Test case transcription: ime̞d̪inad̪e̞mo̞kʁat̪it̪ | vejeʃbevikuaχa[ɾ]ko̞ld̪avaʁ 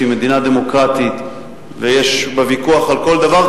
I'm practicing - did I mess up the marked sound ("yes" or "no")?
yes